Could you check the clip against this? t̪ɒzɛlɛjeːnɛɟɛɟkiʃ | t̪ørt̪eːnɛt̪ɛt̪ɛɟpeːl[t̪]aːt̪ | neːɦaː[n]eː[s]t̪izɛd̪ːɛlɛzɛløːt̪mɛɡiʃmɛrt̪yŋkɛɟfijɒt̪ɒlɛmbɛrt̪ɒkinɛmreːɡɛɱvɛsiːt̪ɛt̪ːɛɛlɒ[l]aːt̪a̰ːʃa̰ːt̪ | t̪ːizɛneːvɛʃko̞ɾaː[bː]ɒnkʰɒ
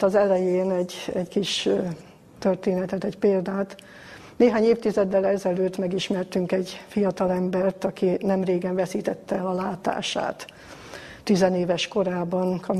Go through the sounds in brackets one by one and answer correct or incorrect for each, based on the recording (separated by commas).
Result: incorrect, incorrect, incorrect, correct, incorrect